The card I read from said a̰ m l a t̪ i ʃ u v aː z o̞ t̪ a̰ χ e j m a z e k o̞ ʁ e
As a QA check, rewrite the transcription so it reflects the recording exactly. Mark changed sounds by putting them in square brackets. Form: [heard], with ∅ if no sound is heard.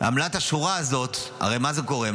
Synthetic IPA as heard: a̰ m l a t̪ [a] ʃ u [ʁ] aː z o̞ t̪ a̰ [ʁ] e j m a z e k o̞ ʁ e